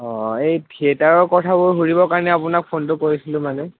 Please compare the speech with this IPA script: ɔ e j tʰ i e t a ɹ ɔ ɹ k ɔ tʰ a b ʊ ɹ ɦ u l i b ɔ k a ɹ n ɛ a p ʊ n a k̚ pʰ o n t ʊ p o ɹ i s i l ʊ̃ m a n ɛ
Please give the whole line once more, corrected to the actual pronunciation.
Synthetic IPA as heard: ɔ e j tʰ i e t a ɹ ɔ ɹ k ɔ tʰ a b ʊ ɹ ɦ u ɹ i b ɔ k a ɹ n ɛ a p ʊ n a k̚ pʰ o n t ʊ k o ɹ i s i l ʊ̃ m a n ɛ

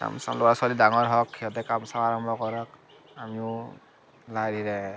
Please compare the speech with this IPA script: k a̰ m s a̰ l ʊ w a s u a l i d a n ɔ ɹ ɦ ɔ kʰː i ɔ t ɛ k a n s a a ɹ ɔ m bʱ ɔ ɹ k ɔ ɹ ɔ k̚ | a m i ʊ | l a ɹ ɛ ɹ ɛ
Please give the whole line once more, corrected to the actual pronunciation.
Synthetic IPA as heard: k a̰ m s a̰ l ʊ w a s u a l i d a ŋ ɔ ɹ ɦ ɔ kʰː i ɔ t ɛ k a m s a a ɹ ɔ m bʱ ɔ k ɔ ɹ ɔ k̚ | a m i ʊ | l a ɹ i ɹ ɛ

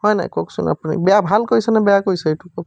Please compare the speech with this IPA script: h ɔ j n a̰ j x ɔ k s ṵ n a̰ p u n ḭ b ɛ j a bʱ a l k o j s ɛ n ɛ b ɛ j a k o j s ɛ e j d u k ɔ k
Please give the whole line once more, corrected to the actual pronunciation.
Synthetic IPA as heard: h ɔ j n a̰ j k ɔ k s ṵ n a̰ p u n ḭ b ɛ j a bʱ a l k o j s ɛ n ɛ b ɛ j a k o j s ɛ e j t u k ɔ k

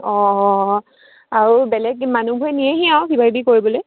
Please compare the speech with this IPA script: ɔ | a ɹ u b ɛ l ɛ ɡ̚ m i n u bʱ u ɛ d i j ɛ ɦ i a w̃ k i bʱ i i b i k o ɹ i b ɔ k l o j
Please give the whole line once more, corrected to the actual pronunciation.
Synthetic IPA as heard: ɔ | a ɹ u b ɛ l ɛ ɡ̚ m a n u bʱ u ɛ n i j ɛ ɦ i a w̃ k i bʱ a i b i k o ɹ i b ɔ l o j

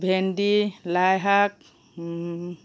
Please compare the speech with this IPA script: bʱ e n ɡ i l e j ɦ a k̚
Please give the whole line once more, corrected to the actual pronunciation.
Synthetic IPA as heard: bʱ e n d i l a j ɦ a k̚

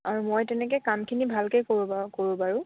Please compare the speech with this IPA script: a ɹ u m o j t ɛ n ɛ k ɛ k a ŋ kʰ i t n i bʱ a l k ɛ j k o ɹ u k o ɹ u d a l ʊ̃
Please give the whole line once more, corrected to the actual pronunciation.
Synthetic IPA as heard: a ɹ u m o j t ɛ n ɛ k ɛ k a m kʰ i n i bʱ a l k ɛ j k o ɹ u k o ɹ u b a ɹ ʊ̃

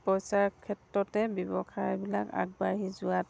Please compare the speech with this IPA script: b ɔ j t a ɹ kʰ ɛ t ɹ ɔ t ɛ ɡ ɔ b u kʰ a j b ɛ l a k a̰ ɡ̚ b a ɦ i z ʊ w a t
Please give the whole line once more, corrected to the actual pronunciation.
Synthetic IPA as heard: p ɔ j s a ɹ kʰ ɛ t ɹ ɔ t ɛ b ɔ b ɔ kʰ a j b i l a k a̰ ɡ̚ b a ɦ i z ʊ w a t

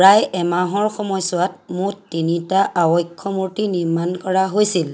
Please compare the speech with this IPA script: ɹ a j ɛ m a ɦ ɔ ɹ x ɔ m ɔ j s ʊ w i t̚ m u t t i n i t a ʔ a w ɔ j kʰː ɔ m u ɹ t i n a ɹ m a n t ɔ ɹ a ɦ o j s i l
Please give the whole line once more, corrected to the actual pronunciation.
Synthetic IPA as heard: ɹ a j ɛ m a ɦ ɔ ɹ x ɔ m ɔ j s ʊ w a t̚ m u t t i n i t a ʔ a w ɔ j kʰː ɔ m u ɹ t i n i ɹ m a n k ɔ ɹ a ɦ o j s i l

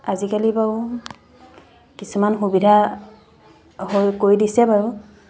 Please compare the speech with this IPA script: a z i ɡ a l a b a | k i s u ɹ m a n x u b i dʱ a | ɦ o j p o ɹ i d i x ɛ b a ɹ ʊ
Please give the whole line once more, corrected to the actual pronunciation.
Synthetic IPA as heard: a z i k a l i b a | k i s u m a n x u b i dʱ a | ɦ o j k o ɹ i d i s ɛ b a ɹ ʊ

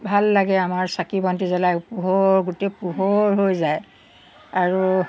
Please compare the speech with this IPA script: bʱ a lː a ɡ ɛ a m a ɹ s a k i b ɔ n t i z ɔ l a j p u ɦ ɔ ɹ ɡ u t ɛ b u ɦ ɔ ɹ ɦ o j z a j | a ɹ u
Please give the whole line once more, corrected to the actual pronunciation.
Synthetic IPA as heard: bʱ a lː a ɡ ɛ a m a ɹ s a k i b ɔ n t i z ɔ l a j p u ɦ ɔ ɹ ɡ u t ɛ p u ɦ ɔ ɹ ɦ o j z a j | a ɹ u

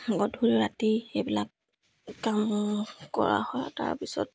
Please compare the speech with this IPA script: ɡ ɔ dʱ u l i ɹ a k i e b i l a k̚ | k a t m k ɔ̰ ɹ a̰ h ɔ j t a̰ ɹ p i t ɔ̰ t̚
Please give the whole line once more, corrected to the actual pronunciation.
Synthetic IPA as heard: ɡ ɔ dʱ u ɹ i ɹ a t i e b i l a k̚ | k a m k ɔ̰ ɹ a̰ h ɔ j t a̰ ɹ p i s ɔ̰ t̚

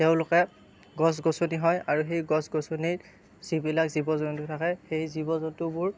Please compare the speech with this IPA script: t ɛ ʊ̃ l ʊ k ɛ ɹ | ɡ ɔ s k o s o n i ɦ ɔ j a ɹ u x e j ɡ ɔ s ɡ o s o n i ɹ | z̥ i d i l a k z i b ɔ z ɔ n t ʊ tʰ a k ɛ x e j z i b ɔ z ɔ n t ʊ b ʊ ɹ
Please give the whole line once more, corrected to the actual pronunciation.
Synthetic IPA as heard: t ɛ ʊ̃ l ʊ k ɛ | ɡ ɔ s ɡ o s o n i ɦ ɔ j a ɹ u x e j ɡ ɔ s ɡ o s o n i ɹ | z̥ i b i l a k z i b ɔ z ɔ n t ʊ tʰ a k ɛ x e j z i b ɔ z ɔ n t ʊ b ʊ ɹ

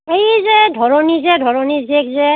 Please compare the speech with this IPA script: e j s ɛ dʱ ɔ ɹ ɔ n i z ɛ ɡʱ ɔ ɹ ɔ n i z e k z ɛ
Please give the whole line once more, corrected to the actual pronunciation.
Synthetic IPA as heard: e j z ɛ dʱ ɔ ɹ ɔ n i z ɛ dʱ ɔ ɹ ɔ n i z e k z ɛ

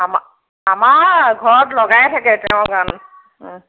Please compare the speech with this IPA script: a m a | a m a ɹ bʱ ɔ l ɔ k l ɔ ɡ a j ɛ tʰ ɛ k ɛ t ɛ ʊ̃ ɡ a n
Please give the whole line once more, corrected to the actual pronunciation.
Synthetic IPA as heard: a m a | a m a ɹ ɡʱ ɔ ɹ ɔ t l ɔ ɡ a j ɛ tʰ a k ɛ t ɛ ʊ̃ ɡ a n

